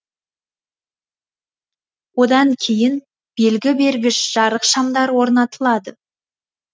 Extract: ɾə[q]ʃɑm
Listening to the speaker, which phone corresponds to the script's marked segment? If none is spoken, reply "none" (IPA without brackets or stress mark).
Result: q